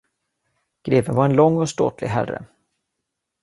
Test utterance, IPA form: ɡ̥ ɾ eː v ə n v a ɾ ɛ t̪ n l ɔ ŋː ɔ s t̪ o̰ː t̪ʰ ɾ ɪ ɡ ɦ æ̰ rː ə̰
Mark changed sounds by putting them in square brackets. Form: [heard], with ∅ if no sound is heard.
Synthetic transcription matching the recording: ɡ̥ ɾ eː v ə n v a ɾ ɛ [∅] n l ɔ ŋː ɔ s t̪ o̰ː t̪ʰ [l] ɪ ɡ ɦ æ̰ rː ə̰